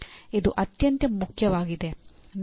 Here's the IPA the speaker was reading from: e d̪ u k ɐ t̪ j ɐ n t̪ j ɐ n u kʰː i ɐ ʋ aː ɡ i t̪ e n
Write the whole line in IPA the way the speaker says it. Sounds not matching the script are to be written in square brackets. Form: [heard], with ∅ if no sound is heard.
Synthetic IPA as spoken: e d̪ u [ʔ] ɐ t̪ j ɐ n t̪ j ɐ [m] u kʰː [j] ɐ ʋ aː ɡ i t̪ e n